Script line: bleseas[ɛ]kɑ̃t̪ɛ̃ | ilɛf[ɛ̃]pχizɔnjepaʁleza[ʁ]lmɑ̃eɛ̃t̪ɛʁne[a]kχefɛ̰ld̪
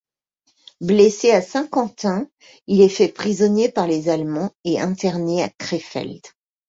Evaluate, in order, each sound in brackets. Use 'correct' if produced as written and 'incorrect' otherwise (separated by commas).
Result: incorrect, incorrect, incorrect, correct